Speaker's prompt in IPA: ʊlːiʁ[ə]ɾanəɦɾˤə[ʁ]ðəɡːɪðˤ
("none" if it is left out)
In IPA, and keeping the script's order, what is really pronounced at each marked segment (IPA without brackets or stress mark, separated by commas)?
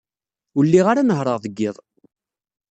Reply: a, ʁ